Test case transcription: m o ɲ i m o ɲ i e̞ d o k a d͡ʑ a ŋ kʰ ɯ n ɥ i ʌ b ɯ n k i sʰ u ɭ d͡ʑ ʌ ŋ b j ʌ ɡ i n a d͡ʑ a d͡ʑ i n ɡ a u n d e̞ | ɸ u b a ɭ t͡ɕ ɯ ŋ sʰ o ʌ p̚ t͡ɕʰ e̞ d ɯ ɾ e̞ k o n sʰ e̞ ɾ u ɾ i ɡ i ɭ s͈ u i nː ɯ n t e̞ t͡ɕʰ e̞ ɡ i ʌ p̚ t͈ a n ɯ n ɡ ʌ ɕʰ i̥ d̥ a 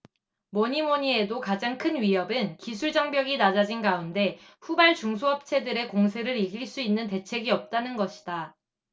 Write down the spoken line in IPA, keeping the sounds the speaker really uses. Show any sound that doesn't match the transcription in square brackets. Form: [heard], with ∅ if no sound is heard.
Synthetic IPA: m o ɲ i m o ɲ i e̞ d o k a d͡ʑ a ŋ kʰ ɯ n ɥ i ʌ b ɯ n k i sʰ u ɭ d͡ʑ ʌ ŋ b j ʌ ɡ i n a d͡ʑ a d͡ʑ i n ɡ a u n d e̞ | ɸ u b a ɭ t͡ɕ [u] ŋ sʰ o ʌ p̚ t͡ɕʰ e̞ d ɯ ɾ e̞ k o [ŋ] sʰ e̞ ɾ [ɯ] ɾ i ɡ i ɭ s͈ u i nː ɯ n t e̞ t͡ɕʰ e̞ ɡ i ʌ p̚ t͈ a n ɯ n ɡ ʌ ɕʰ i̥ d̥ a